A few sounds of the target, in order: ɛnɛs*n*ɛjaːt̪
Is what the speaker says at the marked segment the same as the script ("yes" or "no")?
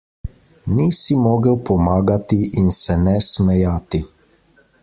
no